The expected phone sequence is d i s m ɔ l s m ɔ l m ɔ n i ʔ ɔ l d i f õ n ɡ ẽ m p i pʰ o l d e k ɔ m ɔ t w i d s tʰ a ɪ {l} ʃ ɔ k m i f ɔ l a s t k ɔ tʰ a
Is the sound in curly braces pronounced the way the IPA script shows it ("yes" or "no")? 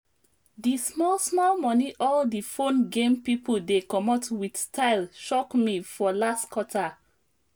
yes